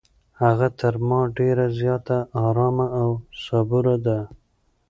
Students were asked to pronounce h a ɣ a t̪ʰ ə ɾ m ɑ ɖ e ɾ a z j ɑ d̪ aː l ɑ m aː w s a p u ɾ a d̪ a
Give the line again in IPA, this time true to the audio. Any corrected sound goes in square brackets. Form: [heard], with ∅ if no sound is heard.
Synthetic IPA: h a ɣ a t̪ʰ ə ɾ m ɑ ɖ e ɾ a z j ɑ [t̪] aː [ɾ] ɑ m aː w s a [b] u ɾ a d̪ a